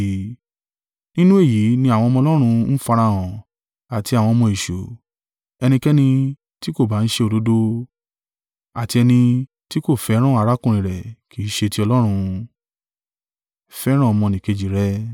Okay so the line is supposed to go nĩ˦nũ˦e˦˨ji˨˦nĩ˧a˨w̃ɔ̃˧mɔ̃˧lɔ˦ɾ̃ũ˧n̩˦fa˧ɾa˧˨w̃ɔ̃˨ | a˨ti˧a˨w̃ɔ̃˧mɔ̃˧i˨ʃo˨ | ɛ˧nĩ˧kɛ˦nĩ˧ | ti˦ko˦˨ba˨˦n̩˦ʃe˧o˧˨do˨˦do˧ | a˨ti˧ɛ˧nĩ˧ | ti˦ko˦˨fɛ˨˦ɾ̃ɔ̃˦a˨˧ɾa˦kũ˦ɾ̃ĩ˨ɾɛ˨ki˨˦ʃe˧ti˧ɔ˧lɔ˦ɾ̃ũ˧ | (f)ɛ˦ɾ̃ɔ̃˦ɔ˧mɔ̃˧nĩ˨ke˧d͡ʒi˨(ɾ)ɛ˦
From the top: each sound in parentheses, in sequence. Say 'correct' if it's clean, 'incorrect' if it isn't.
correct, correct

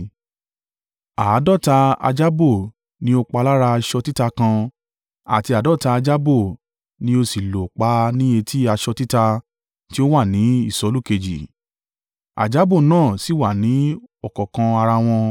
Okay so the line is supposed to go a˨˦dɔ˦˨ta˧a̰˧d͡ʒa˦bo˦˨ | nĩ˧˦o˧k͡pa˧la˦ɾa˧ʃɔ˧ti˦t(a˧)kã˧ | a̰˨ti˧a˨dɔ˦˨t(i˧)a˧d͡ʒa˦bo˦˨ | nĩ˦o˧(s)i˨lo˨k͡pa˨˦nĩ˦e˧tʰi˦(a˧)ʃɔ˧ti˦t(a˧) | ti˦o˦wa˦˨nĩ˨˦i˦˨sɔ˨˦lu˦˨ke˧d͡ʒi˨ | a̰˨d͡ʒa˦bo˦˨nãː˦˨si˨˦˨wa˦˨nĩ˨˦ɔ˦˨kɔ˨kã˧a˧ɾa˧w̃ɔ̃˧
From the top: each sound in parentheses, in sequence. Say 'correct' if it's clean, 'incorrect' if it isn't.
correct, incorrect: a˧, correct, correct, correct

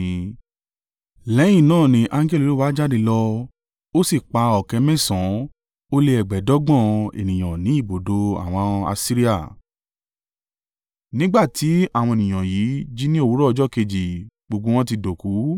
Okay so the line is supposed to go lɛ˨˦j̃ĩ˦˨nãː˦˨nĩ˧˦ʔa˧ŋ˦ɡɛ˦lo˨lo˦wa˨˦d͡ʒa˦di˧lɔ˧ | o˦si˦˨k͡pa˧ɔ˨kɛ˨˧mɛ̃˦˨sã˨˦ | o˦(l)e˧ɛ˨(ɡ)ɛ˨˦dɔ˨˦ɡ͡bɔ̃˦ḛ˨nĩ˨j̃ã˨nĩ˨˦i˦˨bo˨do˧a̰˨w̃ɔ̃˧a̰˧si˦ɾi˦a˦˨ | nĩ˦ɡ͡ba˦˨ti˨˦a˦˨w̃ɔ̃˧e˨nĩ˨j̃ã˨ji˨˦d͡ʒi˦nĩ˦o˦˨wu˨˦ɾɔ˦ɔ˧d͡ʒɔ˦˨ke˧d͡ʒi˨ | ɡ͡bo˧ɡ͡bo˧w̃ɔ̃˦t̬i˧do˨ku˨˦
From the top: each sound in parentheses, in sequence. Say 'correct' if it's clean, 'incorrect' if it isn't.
correct, incorrect: ɡ͡b

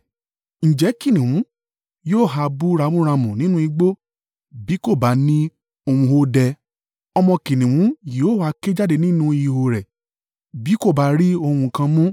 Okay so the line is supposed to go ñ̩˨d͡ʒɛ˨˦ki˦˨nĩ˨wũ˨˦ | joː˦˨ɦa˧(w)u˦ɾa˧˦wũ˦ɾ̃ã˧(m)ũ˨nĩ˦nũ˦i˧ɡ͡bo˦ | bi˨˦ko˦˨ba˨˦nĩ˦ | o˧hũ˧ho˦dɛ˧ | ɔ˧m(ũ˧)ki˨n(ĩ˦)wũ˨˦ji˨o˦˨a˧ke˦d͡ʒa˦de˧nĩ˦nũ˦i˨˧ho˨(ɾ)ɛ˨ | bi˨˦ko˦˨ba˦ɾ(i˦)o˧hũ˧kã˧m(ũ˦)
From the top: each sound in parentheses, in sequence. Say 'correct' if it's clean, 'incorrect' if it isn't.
incorrect: b, correct, incorrect: ɔ̃˧, incorrect: ĩ˨, correct, correct, correct

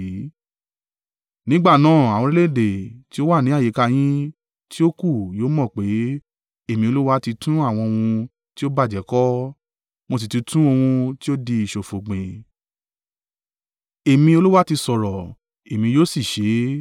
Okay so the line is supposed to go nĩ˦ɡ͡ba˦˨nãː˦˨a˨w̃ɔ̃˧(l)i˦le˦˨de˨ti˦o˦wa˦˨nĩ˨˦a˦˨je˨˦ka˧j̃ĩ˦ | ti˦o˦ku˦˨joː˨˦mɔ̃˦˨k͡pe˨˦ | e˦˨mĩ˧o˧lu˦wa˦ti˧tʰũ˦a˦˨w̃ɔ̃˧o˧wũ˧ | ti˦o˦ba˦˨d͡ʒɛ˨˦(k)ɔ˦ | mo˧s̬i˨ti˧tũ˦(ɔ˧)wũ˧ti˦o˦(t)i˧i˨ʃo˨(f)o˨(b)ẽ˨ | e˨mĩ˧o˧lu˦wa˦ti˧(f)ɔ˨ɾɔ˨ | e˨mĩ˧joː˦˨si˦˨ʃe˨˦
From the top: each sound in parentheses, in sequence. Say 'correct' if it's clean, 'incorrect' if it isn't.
incorrect: ɾ, correct, incorrect: o˧, incorrect: d, correct, incorrect: ɡ͡b, incorrect: s

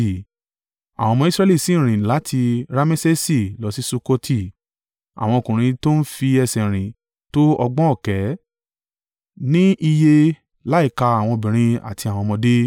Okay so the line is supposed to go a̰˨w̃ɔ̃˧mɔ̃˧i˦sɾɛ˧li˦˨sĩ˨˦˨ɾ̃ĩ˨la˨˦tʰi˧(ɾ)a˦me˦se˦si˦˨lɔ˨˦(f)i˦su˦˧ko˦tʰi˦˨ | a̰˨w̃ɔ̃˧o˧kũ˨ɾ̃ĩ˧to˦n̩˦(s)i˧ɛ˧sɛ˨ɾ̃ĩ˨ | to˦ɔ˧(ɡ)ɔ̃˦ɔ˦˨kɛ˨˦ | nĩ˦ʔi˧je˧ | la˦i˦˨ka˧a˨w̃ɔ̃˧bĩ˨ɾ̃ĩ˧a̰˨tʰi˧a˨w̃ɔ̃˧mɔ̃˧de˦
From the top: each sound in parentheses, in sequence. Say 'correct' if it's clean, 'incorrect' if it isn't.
correct, incorrect: s, incorrect: f, incorrect: ɡ͡b

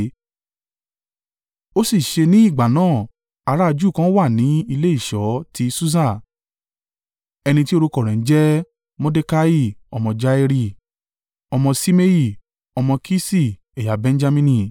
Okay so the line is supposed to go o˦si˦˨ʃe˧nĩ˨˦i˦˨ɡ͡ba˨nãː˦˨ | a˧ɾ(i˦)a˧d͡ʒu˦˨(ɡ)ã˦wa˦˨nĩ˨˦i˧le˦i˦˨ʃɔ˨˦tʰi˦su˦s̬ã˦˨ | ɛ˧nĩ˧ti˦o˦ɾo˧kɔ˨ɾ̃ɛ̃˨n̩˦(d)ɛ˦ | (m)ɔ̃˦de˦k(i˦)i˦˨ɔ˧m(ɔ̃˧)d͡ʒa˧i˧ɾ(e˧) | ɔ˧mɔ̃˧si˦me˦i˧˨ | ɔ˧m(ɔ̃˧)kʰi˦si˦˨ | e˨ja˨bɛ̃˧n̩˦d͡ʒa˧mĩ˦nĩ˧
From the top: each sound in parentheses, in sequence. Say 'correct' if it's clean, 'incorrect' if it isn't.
incorrect: a˦, incorrect: k, incorrect: d͡ʒ, correct, incorrect: a˦, correct, incorrect: i˧, correct

